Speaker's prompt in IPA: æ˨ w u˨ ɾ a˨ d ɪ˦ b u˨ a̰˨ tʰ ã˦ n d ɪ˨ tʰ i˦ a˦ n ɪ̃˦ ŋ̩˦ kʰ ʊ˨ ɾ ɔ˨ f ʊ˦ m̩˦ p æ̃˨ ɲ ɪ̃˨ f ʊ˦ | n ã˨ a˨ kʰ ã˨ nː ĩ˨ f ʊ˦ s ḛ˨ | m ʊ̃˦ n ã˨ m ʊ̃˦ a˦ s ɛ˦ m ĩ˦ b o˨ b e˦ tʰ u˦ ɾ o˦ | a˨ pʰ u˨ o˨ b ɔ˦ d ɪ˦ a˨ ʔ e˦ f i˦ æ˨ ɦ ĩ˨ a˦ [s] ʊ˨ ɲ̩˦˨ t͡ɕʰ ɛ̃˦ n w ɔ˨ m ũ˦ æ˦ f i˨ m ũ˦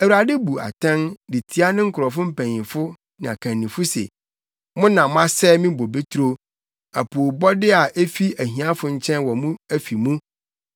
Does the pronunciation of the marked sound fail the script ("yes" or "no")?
yes